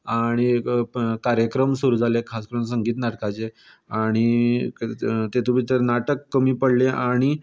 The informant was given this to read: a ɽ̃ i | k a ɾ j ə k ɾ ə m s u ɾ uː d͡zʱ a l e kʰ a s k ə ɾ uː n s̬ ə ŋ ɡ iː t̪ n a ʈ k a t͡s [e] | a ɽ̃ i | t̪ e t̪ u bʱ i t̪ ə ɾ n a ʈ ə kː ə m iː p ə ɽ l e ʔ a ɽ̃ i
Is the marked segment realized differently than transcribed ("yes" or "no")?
no